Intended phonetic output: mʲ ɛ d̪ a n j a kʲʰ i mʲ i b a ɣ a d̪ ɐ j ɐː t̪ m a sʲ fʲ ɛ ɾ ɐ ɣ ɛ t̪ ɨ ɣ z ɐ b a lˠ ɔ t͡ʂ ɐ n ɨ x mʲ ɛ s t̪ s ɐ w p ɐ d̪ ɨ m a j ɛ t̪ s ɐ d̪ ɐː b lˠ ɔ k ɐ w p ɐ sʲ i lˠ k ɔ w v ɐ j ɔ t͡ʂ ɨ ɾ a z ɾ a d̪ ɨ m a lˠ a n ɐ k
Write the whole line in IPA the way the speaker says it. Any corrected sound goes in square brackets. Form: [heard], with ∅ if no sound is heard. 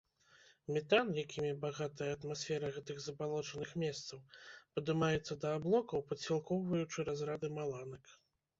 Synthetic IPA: mʲ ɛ [t̪] a n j a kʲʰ i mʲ i b a ɣ a [t̪] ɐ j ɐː t̪ m a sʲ fʲ ɛ ɾ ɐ ɣ ɛ t̪ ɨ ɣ z ɐ b a lˠ ɔ t͡ʂ ɐ n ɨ x mʲ ɛ s t̪ s ɐ w p ɐ d̪ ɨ m a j ɛ t̪ [sː] ɐ d̪ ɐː b lˠ ɔ k ɐ w p ɐ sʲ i lˠ k ɔ w v ɐ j [u] t͡ʂ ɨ ɾ a z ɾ a d̪ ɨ m a lˠ a n ɐ k